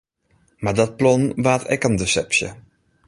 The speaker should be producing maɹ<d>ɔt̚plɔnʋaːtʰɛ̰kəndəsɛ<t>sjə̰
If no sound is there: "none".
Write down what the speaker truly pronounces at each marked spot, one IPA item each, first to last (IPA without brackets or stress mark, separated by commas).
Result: d, p